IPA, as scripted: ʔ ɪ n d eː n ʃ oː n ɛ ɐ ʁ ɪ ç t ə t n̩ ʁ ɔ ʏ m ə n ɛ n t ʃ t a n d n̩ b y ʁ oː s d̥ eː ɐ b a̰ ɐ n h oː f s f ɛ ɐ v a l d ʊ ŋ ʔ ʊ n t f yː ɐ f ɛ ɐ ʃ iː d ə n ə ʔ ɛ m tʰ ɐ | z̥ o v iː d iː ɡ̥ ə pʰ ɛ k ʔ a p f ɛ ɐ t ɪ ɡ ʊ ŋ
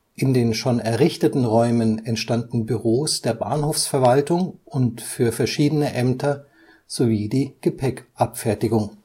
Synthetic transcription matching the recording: ʔ ɪ n d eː n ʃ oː n ɛ ɐ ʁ ɪ ç t ə t n̩ ʁ ɔ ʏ m ə n ɛ n t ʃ t a n d n̩ b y ʁ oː s d̥ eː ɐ b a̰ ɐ n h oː f s f ɛ ɐ v a l t ʊ ŋ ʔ ʊ n t f yː ɐ f ɛ ɐ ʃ iː d ə n ə ʔ ɛ m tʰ ɐ | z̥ o v iː d iː ɡ̥ ə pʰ ɛ k ʔ a p f ɛ ɐ t ɪ ɡ ʊ ŋ

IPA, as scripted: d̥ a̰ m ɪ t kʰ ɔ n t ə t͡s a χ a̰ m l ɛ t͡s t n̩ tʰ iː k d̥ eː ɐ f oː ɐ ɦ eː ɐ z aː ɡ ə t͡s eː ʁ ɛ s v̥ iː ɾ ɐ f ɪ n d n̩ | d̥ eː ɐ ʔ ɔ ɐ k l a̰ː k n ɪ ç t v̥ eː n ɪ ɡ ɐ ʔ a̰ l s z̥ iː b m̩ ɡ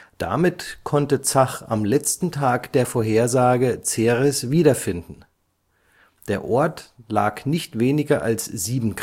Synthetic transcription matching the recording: d̥ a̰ m ɪ t kʰ ɔ n t ə t͡s a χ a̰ m l ɛ t͡s t n̩ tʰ aː k d̥ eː ɐ f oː ɐ ɦ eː ɐ z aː ɡ ə t͡s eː ʁ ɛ s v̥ iː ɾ ɐ f ɪ n d n̩ | d̥ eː ɐ ʔ ɔ ɐ t l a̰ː k n ɪ ç t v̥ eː n ɪ ɡ ɐ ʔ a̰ l s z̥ iː b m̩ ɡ

